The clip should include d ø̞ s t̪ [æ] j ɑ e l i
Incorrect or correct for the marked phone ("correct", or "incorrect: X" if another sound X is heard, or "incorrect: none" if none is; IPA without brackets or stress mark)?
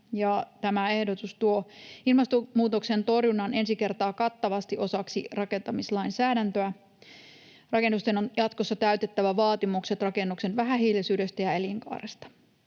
correct